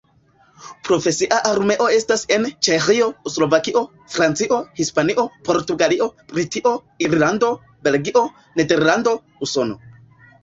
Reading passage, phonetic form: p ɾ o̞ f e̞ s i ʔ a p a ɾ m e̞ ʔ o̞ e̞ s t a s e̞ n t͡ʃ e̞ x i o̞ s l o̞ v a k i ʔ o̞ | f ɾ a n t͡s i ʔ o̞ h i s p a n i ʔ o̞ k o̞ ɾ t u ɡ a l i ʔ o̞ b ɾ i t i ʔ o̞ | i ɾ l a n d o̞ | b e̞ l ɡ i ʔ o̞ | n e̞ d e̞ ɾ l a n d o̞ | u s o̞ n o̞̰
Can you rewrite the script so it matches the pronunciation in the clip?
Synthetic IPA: p ɾ o̞ f e̞ s i ʔ a ʔ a ɾ m e̞ ʔ o̞ e̞ s t a s e̞ n t͡ʃ e̞ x i o̞ s l o̞ v a k i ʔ o̞ | f ɾ a n t͡s i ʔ o̞ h i s p a n i ʔ o̞ p o̞ ɾ t u ɡ a l i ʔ o̞ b ɾ i t i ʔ o̞ | i ɾ l a n d o̞ | b e̞ l ɡ i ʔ o̞ | n e̞ d e̞ ɾ l a n d o̞ | u s o̞ n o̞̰